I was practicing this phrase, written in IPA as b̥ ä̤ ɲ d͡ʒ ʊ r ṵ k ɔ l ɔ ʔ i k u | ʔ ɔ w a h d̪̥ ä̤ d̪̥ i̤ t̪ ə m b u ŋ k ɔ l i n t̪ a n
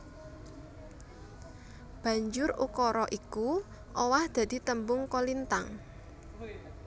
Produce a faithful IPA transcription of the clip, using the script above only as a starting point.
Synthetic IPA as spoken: b̥ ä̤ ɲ d͡ʒ ʊ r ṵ k ɔ ɾ ɔ ʔ i k u | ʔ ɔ w a h d̪̥ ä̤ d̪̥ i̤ t̪ ə m b ʊ ŋ k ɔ l i n t̪ a ŋ